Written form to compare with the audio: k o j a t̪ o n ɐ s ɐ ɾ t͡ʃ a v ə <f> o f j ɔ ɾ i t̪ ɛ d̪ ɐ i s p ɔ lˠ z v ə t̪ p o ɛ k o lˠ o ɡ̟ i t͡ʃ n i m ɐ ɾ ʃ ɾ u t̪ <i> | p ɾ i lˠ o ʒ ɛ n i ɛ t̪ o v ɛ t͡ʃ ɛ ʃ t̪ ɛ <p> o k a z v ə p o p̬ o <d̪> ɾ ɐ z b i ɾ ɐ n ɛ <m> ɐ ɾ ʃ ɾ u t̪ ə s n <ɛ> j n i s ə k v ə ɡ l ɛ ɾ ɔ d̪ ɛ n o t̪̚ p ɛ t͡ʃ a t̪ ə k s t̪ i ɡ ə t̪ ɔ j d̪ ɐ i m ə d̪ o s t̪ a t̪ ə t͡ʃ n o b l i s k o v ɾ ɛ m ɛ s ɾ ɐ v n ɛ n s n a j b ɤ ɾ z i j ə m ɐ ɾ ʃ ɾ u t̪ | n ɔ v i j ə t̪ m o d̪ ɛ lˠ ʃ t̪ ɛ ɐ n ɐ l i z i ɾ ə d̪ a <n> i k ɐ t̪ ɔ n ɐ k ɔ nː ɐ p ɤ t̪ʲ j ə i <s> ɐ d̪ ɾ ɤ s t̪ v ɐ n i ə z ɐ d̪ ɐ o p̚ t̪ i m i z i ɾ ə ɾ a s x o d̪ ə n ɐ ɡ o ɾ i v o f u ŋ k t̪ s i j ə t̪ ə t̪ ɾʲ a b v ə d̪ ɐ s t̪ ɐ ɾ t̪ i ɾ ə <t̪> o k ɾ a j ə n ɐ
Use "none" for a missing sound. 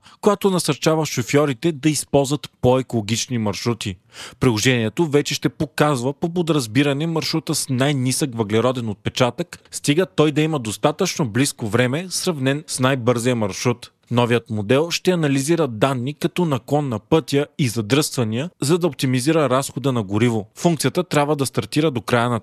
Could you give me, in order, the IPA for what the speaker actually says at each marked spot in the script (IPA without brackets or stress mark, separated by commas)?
ʃ, i, p, d̪, m, a, nː, z, d̪